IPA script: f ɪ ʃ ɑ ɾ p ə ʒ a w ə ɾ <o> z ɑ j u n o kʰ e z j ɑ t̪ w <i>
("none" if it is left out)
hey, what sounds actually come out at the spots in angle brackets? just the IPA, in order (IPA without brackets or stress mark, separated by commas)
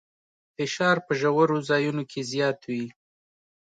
o, i